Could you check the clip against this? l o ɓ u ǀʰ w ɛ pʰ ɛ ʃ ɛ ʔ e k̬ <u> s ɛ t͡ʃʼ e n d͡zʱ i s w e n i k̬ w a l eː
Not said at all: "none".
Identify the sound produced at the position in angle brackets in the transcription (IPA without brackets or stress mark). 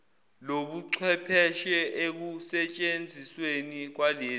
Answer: u